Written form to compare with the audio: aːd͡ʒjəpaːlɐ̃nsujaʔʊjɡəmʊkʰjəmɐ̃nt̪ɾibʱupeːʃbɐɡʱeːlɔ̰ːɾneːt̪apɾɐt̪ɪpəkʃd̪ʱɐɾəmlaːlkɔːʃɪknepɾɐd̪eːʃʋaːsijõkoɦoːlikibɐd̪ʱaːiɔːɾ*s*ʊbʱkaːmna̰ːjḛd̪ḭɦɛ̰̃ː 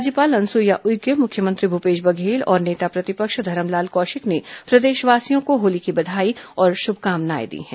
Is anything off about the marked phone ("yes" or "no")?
yes